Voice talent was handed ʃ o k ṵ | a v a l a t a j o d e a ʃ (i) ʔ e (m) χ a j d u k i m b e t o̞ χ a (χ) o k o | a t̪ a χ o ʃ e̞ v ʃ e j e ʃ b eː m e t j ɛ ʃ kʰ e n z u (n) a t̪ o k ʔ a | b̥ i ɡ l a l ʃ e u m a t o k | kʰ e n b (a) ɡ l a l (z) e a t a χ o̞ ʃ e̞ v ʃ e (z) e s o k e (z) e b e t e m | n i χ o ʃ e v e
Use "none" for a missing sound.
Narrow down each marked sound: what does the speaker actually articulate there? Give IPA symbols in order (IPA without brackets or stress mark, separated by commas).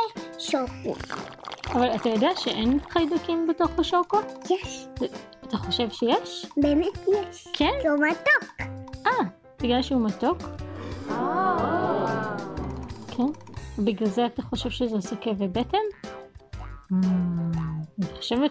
e, n, ʃ, m, i, z, z, v